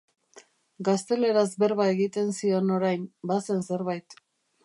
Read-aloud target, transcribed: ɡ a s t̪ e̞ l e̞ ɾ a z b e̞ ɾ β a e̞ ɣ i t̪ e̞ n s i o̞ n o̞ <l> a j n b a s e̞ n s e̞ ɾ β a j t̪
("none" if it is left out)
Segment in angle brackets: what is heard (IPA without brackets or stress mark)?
ɾ